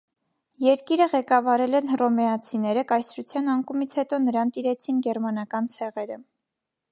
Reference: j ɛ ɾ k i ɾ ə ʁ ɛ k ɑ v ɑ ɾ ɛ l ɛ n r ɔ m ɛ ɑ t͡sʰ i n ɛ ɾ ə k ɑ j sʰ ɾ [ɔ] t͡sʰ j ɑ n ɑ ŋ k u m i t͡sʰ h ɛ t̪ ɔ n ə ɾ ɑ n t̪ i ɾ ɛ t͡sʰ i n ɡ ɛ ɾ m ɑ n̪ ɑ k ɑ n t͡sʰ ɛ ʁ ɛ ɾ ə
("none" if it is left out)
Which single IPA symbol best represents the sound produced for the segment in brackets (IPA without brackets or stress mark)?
u